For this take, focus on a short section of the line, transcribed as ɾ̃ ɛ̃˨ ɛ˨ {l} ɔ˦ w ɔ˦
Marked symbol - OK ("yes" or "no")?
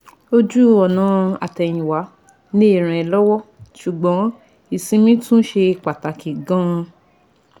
yes